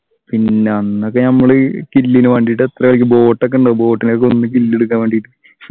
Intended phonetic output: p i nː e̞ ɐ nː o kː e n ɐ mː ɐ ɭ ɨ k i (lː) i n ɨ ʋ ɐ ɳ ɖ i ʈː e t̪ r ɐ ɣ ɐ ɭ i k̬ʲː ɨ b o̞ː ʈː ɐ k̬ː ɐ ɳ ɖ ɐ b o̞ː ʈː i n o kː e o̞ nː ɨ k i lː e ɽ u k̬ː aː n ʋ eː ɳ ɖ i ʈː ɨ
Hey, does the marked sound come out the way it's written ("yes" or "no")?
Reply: yes